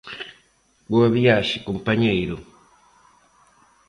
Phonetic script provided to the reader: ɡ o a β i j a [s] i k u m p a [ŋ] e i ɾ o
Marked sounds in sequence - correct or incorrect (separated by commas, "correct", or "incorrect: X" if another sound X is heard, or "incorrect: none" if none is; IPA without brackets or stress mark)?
incorrect: ʃ, incorrect: ɲ